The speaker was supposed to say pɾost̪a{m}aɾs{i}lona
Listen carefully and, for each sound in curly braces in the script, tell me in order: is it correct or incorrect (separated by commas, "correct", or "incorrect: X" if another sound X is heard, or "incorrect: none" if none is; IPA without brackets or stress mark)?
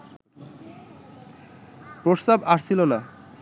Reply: incorrect: b, correct